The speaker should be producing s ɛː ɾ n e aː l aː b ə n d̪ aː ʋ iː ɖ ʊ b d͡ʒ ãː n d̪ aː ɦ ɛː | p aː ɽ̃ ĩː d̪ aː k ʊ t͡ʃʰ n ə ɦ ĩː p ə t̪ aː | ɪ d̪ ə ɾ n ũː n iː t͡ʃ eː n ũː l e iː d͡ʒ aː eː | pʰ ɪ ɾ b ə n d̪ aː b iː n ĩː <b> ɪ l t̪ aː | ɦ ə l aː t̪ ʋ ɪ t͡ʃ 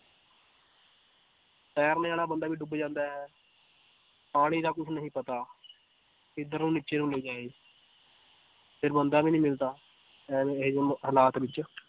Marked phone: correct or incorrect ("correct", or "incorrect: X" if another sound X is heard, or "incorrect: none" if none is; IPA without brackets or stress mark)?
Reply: incorrect: m